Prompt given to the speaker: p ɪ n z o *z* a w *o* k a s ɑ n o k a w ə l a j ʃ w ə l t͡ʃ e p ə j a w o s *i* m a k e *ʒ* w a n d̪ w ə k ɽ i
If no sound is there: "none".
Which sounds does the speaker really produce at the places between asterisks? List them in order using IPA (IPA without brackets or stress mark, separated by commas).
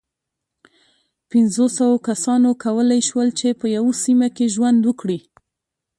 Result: s, o, i, ʒ